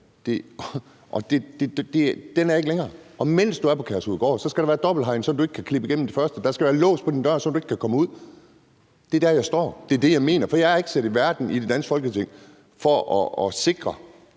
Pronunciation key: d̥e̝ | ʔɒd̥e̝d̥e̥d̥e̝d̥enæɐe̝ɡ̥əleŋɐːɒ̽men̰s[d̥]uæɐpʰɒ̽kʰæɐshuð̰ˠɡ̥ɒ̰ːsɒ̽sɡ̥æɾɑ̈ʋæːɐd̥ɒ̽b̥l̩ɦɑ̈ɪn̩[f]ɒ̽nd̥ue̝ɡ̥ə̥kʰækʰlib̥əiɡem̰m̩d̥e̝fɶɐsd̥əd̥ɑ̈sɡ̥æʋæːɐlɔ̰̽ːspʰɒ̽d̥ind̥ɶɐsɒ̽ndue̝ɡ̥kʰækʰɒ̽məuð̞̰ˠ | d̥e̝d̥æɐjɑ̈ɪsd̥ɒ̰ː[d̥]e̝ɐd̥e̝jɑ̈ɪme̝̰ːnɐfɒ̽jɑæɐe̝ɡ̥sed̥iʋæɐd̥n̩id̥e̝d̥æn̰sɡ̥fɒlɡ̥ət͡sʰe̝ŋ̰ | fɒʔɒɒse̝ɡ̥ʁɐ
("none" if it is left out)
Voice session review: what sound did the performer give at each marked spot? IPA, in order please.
d̥, s, d̥

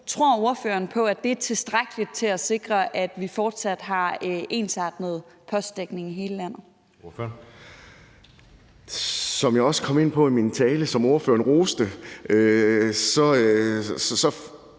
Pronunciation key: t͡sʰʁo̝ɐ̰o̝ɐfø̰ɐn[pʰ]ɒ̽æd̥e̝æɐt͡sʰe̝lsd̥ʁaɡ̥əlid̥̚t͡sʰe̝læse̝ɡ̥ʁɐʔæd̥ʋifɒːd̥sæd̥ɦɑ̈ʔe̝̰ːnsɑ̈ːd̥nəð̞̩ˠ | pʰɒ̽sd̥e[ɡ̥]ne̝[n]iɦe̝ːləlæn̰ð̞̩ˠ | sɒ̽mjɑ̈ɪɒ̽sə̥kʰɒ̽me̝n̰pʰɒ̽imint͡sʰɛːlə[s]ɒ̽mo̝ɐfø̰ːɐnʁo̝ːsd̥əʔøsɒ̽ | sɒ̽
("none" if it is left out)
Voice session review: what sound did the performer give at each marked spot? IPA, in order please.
pʰ, ɡ̥, ŋ, s

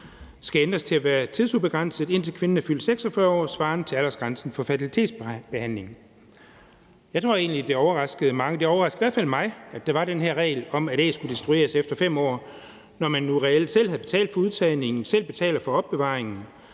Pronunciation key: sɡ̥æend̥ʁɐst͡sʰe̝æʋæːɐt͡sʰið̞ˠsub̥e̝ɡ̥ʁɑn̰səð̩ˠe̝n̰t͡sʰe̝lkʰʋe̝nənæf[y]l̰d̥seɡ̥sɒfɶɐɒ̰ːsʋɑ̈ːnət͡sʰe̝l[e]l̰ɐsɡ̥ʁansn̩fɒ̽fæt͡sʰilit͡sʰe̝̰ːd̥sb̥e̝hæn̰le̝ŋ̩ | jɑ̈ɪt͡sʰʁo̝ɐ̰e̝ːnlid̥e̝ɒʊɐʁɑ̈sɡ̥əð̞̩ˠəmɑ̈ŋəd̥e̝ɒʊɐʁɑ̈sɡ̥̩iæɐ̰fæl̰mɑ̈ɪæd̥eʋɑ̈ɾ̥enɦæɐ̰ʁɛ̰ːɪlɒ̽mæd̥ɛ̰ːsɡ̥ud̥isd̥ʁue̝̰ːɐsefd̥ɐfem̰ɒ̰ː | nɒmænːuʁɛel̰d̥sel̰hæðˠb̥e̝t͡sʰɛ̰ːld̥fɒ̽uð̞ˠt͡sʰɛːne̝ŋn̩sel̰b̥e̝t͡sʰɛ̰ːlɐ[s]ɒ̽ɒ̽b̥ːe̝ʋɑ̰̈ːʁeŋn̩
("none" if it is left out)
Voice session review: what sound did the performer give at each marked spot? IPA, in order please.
y, æ, f

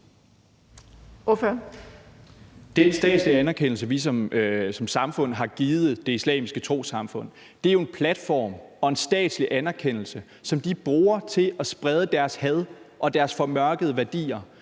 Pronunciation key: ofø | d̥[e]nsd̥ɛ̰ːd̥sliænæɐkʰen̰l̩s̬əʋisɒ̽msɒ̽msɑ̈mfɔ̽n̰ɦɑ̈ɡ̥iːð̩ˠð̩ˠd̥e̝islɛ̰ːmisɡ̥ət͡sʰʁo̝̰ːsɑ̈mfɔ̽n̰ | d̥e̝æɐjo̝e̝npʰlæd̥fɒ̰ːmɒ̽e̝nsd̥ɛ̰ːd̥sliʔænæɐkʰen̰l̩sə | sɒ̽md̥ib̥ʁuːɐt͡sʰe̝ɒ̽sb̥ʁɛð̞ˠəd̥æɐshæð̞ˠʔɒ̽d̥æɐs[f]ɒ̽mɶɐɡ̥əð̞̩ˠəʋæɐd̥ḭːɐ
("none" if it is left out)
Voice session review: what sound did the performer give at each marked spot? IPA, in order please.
e, f

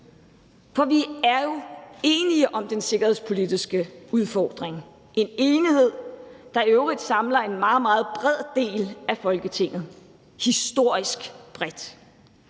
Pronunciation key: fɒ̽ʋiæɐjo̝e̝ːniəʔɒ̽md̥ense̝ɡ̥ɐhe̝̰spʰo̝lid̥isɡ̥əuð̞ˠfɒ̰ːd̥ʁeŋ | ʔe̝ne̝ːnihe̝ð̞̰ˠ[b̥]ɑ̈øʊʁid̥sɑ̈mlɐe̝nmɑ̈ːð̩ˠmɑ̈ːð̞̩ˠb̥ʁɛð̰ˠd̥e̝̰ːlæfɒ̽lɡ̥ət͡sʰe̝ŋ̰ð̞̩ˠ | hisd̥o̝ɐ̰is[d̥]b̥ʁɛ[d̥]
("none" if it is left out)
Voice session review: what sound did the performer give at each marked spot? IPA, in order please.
d̥, ɡ̥, d̥

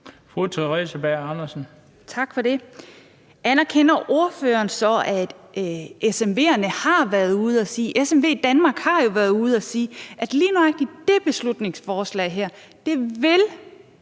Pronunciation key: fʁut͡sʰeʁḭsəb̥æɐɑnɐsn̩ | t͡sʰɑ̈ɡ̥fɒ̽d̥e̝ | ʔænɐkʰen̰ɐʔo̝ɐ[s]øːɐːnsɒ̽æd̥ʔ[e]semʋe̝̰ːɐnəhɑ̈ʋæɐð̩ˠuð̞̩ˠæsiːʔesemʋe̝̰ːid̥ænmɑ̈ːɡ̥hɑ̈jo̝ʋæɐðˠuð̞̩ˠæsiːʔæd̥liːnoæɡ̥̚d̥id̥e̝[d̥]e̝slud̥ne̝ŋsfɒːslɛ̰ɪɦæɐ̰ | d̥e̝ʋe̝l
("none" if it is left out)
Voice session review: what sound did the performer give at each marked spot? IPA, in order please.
f, e, b̥

